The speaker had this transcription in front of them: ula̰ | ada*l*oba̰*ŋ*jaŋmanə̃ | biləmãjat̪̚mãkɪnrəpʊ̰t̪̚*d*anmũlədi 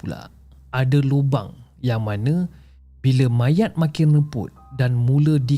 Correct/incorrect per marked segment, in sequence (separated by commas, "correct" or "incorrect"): correct, correct, correct